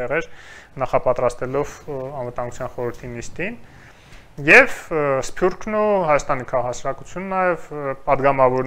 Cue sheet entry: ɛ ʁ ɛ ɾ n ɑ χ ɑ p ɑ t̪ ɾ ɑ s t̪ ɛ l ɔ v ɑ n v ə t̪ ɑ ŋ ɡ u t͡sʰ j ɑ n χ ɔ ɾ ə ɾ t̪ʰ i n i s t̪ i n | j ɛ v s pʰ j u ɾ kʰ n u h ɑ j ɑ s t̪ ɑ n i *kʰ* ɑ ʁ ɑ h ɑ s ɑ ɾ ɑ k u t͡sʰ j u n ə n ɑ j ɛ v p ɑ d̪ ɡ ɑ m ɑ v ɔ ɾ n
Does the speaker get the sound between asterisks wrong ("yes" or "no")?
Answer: no